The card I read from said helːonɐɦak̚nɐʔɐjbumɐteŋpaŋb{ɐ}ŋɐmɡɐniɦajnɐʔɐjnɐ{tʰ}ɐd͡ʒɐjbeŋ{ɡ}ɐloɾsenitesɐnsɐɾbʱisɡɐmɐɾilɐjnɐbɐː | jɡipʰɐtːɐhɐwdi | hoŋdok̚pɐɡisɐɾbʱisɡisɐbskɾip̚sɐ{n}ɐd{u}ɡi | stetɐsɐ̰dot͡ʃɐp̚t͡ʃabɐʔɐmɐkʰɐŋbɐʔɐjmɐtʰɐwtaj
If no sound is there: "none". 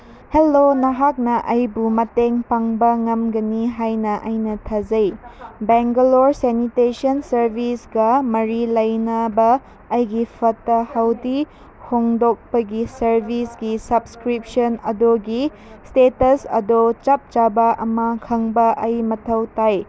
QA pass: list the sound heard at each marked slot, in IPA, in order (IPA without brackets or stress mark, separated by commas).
ɐ, tʰ, ɡ, n, o